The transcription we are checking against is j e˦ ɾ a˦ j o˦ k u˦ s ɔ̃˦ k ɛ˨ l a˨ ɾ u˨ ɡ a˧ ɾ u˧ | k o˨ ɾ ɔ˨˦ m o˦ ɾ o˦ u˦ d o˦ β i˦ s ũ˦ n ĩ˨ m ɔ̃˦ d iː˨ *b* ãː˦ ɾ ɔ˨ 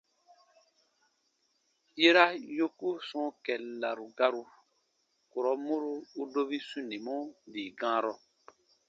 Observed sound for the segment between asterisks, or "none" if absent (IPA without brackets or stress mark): ɡ